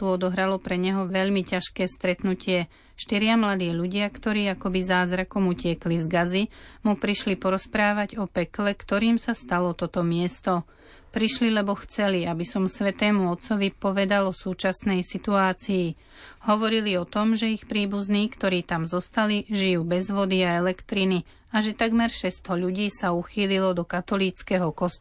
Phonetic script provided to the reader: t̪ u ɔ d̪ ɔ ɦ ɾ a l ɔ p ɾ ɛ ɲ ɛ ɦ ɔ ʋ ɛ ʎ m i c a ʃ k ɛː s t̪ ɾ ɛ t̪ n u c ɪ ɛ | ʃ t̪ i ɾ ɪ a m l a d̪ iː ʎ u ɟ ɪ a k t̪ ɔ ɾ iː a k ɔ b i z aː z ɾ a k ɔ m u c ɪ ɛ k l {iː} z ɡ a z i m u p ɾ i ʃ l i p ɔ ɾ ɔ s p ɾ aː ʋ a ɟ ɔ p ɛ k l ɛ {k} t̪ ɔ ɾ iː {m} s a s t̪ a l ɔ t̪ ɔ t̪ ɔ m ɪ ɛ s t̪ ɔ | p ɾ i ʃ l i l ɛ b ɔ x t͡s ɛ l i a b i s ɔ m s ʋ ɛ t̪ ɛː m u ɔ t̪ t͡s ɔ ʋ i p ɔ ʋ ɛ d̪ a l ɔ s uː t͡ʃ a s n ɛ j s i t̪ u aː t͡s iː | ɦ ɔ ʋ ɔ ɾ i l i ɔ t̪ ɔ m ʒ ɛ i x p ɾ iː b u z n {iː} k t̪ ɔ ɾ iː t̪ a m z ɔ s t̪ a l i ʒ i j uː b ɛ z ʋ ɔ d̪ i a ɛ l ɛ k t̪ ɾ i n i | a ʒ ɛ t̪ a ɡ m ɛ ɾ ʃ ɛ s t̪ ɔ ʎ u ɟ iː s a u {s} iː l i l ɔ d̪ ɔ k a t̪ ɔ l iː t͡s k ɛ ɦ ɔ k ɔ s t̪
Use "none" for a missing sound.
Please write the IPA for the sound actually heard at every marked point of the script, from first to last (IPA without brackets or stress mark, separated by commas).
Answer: i, k, m, iː, x